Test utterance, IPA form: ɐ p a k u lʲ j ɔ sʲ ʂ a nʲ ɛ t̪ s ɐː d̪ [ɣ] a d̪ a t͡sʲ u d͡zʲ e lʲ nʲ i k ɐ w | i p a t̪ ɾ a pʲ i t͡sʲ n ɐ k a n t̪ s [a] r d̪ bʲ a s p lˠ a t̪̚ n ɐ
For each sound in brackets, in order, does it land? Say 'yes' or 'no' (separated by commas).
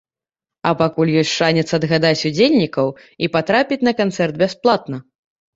yes, no